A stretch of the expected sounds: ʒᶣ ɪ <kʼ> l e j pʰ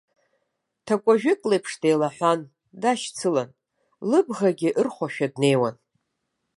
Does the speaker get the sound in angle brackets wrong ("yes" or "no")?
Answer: no